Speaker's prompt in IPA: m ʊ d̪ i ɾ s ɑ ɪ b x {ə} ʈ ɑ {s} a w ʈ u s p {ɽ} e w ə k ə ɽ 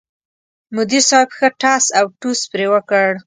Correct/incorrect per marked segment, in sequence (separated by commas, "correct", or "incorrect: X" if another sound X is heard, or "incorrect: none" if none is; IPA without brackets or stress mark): correct, correct, incorrect: ɾ